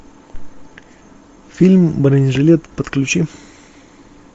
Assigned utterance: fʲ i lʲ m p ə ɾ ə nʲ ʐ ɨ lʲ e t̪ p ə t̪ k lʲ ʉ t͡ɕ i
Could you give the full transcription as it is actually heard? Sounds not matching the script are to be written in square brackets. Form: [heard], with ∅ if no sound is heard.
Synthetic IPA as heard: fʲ i lʲ m [b] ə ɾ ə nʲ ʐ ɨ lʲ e t̪ p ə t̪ k lʲ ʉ t͡ɕ i